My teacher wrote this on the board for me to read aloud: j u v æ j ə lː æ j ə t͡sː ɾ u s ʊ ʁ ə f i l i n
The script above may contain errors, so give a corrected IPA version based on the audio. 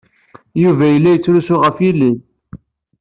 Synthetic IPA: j u v æ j ə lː æ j ə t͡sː ɾ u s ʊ ʁ ə f i l i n